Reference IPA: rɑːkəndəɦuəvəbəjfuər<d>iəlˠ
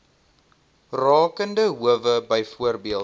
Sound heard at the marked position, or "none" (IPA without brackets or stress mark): b